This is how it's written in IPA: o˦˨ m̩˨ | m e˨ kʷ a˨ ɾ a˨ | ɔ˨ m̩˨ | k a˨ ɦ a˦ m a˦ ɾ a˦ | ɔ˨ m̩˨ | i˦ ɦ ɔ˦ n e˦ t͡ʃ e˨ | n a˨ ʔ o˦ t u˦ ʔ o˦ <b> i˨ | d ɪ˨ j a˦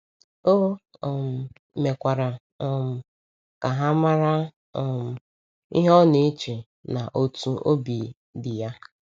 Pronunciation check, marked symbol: correct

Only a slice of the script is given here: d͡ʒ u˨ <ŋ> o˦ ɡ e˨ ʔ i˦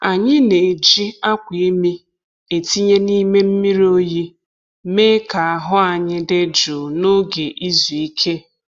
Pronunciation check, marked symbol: incorrect: n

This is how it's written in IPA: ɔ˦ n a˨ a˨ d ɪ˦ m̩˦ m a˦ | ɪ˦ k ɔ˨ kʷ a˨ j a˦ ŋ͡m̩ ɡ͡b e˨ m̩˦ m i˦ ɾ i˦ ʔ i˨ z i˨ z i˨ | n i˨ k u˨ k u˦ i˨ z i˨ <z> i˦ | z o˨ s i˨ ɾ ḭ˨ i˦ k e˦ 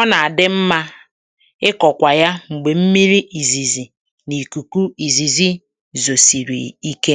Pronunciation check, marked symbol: correct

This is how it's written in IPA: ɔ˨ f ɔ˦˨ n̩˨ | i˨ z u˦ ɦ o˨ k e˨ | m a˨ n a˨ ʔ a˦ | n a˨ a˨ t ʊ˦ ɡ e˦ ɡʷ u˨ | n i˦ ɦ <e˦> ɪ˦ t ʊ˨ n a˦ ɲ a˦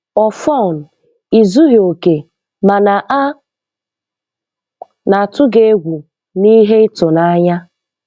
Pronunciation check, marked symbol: correct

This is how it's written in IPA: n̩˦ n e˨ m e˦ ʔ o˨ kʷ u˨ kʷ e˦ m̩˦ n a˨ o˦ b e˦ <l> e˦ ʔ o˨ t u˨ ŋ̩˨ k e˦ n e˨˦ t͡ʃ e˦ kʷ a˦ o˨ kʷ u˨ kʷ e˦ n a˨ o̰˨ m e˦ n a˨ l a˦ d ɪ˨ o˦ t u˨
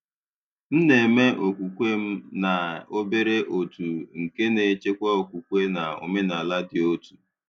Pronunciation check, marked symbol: incorrect: ɾ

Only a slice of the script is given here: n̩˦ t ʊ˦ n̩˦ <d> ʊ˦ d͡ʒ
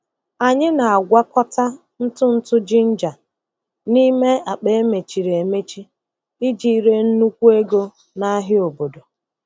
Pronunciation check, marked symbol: incorrect: t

